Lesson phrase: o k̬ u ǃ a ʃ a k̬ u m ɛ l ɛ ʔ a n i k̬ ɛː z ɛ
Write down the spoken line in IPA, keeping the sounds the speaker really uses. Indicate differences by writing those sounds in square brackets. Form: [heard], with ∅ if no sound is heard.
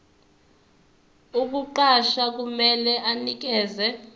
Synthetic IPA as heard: [u] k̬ u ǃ a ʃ a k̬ u m ɛ l ɛ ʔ a n i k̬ ɛː z ɛ